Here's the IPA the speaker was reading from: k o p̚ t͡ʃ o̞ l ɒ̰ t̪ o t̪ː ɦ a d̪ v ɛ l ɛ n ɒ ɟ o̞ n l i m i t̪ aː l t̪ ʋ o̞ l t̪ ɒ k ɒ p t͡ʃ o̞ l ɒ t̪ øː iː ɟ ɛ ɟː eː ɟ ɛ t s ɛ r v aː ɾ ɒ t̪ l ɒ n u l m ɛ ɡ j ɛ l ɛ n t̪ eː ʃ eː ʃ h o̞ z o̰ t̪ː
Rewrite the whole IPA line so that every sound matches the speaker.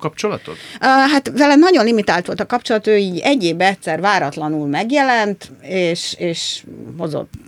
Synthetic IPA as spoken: k ɒ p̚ t͡ʃ o̞ l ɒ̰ t̪ o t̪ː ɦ a t̪ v ɛ l ɛ n ɒ ɟ o̞ n l i m i t̪ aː l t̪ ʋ o̞ l t̪ ɒ k ɒ p t͡ʃ o̞ l ɒ t̪ øː iː ɟ ɛ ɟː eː b ɛ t s ɛ r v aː ɾ ɒ t̪ l ɒ n u l m ɛ ɡ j ɛ l ɛ n t̪ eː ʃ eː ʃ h o̞ z o̰ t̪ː